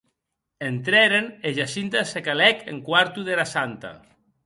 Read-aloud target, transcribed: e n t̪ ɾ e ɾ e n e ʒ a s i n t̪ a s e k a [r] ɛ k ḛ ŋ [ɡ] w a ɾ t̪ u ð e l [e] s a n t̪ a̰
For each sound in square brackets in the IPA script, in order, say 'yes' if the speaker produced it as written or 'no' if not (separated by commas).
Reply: no, no, no